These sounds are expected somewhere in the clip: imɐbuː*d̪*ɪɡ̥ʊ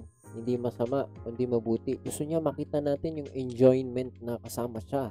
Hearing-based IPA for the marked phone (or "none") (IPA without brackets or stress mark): t̪